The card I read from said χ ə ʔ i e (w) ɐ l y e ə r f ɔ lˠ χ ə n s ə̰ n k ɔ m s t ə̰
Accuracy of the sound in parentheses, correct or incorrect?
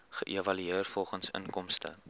incorrect